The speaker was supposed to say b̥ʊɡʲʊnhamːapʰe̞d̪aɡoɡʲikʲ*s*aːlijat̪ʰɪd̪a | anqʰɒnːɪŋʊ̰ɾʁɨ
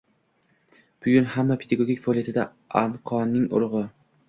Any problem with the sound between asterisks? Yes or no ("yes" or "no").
yes